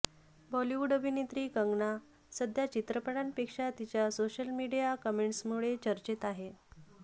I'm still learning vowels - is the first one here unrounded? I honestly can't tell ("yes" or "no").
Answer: no